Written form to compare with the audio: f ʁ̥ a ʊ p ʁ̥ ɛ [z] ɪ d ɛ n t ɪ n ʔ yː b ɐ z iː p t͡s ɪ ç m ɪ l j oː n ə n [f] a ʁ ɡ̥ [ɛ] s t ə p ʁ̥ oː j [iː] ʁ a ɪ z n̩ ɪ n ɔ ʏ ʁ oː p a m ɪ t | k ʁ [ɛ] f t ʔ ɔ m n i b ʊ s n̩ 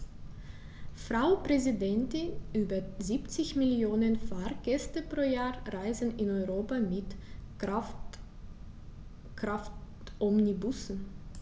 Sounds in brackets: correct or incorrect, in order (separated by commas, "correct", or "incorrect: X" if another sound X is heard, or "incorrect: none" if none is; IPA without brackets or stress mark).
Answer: correct, correct, correct, incorrect: aː, incorrect: a